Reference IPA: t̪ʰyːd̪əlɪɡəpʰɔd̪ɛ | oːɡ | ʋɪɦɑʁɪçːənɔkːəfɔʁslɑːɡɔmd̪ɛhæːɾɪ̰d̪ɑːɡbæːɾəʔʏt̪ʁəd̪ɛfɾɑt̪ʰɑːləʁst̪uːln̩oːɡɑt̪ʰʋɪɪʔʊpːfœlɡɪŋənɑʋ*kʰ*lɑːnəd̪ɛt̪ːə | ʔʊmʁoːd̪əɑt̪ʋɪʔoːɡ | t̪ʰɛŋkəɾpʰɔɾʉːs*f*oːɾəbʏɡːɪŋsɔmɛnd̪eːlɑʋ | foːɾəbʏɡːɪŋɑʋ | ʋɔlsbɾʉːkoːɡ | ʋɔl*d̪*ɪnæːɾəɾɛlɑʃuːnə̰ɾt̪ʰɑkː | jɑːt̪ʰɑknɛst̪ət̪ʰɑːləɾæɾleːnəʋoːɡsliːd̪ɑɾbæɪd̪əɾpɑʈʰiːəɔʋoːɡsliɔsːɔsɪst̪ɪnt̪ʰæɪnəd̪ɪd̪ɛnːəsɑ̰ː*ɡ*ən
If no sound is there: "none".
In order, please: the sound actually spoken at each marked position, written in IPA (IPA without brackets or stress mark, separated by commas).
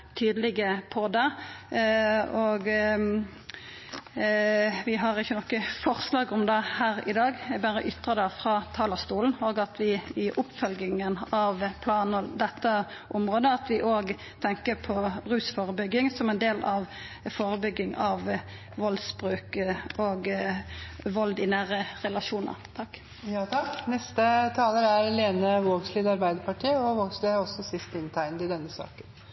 pʰ, f, d̪, k